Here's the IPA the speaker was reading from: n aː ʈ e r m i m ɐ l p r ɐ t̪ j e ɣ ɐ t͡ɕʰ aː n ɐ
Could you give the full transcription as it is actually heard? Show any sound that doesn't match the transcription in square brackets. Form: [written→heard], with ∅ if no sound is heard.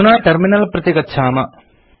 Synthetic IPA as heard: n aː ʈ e r m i [m→n] ɐ l p r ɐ t̪ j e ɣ ɐ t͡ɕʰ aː [n→m] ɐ